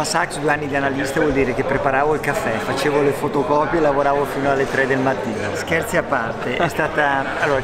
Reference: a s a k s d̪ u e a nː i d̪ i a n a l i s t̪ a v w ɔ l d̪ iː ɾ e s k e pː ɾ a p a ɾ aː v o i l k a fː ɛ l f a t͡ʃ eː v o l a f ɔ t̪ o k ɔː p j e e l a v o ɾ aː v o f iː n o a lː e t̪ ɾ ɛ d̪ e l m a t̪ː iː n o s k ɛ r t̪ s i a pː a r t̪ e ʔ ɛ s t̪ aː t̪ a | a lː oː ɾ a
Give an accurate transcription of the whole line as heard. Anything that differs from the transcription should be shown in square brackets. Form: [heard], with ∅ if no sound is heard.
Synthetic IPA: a s a k s d̪ u e a nː i d̪ i a n a l i s t̪ a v w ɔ l d̪ iː ɾ e [∅] k e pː ɾ [e] p a ɾ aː v o i l k a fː ɛ [∅] f a t͡ʃ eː v o l [e] f [o] t̪ o k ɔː p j e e l a v o ɾ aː v o f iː n o a lː e t̪ ɾ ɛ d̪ e l m a t̪ː iː n o s k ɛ r t̪ s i a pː a r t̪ e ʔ ɛ s t̪ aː t̪ a | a lː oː ɾ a